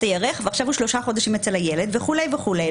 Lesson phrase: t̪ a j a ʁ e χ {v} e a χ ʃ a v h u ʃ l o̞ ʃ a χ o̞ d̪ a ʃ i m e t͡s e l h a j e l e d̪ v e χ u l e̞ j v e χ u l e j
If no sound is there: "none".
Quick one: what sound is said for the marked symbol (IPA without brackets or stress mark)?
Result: v